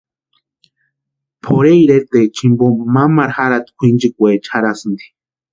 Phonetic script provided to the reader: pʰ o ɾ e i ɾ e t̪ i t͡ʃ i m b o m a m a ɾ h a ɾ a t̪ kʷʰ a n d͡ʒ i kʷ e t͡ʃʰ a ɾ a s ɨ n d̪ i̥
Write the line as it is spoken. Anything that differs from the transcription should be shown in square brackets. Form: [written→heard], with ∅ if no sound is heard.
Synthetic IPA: pʰ o ɾ e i ɾ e t̪ [i→e] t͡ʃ i m b o m a m a ɾ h a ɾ a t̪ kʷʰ [a→i] n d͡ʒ i kʷ e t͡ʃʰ a ɾ a s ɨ n d̪ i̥